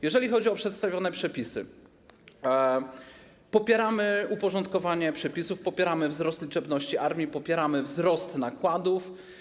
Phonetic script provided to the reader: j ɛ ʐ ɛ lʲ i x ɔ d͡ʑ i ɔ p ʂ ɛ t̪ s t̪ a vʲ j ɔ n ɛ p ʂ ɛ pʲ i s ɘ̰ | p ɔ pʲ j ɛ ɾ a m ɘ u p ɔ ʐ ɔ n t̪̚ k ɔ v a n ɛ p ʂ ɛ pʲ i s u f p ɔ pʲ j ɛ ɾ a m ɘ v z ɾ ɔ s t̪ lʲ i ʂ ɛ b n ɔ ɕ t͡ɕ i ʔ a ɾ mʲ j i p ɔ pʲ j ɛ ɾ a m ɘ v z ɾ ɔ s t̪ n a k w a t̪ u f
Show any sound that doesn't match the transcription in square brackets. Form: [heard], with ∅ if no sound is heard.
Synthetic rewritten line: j ɛ ʐ ɛ lʲ i x ɔ d͡ʑ i ɔ p ʂ ɛ t̪ s t̪ a vʲ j ɔ n ɛ p ʂ ɛ pʲ i s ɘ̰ | p ɔ pʲ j ɛ ɾ a m ɘ u p ɔ ʐ ɔ n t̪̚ k ɔ v a [ɲ] ɛ p ʂ ɛ pʲ i s u f p ɔ pʲ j ɛ ɾ a m ɘ v z ɾ ɔ s t̪ lʲ i [t͡ʂ] ɛ b n ɔ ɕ t͡ɕ i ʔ a ɾ mʲ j i p ɔ pʲ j ɛ ɾ a m ɘ v z ɾ ɔ s t̪ n a k w a [d̪] u f